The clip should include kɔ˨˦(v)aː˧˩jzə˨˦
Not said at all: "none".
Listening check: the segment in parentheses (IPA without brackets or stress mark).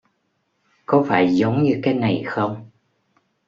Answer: f